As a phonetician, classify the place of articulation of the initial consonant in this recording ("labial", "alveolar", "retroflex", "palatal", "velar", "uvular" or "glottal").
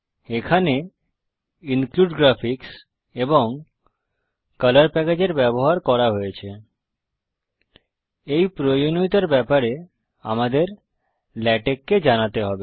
velar